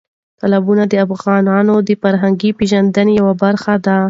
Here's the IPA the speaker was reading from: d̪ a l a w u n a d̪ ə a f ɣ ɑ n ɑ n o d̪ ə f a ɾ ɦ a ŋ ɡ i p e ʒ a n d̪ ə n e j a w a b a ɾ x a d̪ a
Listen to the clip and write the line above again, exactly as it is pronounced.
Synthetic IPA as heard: t̪ a l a b u n a d̪ ə a f ɣ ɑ n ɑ n o d̪ ə f a ɾ ɦ a ŋ ɡ i p e ʒ a n d̪ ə n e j a w a b a ɾ x a d̪ a

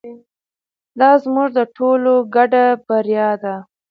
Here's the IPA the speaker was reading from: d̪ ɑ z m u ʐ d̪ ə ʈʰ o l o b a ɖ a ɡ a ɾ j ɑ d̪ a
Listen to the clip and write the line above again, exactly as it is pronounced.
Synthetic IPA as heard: d̪ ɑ z m u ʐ d̪ ə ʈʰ o l o ɡ a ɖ a b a ɾ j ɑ d̪ a

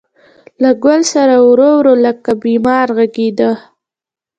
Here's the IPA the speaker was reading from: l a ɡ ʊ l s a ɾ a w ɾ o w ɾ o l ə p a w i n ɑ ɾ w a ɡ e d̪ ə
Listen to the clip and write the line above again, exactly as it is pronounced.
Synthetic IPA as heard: l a ɡ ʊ l s a ɾ a w ɾ o w ɾ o l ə k a b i m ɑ ɾ ɣ a ɡ e d̪ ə

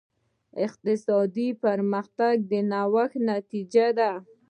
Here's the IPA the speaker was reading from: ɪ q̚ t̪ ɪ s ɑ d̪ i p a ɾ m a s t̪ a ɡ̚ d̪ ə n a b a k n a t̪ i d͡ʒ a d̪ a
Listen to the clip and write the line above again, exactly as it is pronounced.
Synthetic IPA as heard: ɪ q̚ t̪ ɪ s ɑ d̪ i p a ɾ m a x t̪ a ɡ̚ d̪ ə n a w a x n a t̪ i d͡ʒ a d̪ a

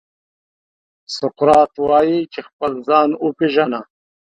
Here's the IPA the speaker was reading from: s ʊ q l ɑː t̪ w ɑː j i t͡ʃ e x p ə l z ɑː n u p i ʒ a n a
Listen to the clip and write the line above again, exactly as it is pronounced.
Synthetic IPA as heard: s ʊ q ɾ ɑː t̪ w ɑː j i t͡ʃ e x p ə l z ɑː n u p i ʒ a n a

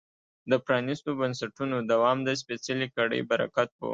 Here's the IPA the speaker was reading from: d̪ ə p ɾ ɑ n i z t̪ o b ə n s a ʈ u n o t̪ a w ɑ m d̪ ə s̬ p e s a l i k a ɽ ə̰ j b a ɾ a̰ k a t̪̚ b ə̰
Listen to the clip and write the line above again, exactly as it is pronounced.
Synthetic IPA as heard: d̪ ə p ɾ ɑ n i s t̪ o b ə n s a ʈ u n o d̪ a w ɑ m d̪ ə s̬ p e s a l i k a ɽ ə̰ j b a ɾ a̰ k a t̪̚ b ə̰

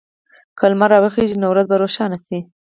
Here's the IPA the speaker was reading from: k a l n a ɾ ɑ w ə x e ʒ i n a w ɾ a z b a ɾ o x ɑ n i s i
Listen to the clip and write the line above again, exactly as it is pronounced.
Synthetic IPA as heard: k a l m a ɾ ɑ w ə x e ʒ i n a w ɾ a z b a ɾ o ʃ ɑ n a s i

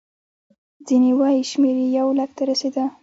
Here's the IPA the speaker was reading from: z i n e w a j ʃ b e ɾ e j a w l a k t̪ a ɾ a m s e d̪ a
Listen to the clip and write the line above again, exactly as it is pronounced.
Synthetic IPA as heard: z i n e w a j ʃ m e ɾ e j a w l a k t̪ a ɾ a s e d̪ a

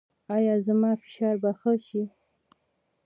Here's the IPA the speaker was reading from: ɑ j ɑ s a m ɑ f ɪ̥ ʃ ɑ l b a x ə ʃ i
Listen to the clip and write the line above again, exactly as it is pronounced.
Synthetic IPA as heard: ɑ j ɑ z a m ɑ f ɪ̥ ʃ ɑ ɾ b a x ə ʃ i

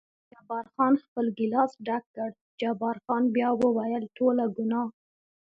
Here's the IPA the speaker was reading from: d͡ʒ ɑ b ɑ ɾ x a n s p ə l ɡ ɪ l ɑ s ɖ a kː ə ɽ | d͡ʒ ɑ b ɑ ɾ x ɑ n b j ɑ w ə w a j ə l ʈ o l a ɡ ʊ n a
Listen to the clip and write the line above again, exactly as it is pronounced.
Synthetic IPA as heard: d͡ʒ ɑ b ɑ ɾ x ɑ n x p ə l ɡ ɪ l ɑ s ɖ a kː ə ɽ | d͡ʒ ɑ b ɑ ɾ x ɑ n b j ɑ w ə w a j ə l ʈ o l a ɡ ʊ n ɑ

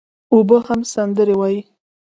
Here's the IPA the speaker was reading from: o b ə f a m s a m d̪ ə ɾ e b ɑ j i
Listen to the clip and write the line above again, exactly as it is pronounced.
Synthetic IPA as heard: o b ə h a m s a n d̪ ə ɾ e w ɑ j i

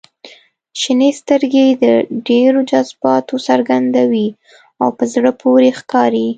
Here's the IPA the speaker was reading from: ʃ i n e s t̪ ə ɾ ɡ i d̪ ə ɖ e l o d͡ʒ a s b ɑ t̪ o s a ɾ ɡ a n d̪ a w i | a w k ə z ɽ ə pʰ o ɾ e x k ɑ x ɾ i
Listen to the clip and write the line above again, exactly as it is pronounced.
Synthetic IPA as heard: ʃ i n e s t̪ ə ɾ ɡ e d̪ ə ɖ e ɾ o d͡ʒ a z b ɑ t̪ o s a ɾ ɡ a n d̪ a w i | a w p ə z ɽ ə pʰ o ɾ e x k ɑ ɾ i

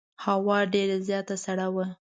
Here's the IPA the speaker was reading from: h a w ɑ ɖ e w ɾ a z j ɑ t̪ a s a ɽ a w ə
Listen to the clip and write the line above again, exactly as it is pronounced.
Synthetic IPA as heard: h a w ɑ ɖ e ɾ a z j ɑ t̪ a s a ɽ a w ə

